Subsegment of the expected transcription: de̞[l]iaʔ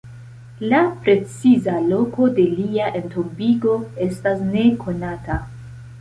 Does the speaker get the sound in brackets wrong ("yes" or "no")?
no